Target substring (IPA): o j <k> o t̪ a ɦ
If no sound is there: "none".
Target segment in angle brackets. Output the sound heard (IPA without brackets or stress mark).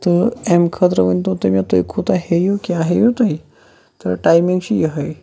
kʰ